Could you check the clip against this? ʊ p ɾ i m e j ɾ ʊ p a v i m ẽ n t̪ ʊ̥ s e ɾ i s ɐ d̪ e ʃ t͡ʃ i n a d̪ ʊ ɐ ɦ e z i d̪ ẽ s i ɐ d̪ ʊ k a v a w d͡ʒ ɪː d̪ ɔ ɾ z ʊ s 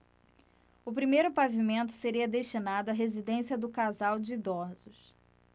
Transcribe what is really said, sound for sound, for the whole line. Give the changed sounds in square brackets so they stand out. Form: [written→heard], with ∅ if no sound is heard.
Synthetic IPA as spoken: ʊ p ɾ i m e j ɾ ʊ p a v i m ẽ n t̪ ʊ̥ s e ɾ i [s→∅] ɐ d̪ e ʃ t͡ʃ i n a d̪ ʊ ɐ ɦ e z i d̪ ẽ s i ɐ d̪ ʊ k a [v→z] a w d͡ʒ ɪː d̪ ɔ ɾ z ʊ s